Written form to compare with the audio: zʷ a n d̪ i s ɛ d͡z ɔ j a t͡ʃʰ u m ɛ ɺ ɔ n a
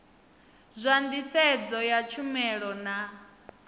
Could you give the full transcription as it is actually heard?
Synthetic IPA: zʷ a n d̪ i s ɛ d͡z ɔ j a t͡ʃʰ u m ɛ ɺ ɔ n a